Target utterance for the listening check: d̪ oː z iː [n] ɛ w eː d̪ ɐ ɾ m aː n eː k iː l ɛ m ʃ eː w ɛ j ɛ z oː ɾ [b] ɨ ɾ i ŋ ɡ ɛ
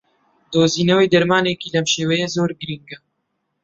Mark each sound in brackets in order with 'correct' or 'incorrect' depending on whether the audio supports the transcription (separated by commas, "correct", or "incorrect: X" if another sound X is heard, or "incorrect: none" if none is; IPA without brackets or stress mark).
correct, incorrect: ɡ